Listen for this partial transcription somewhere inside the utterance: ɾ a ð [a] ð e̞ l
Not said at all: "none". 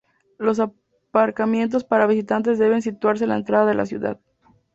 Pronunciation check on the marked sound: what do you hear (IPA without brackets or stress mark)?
a